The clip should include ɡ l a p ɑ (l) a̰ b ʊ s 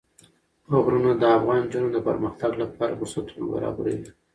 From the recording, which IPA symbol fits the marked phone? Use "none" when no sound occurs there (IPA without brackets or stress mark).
ɾ